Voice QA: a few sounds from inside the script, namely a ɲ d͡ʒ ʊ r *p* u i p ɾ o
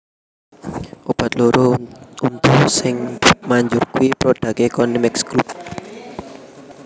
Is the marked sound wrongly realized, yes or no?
yes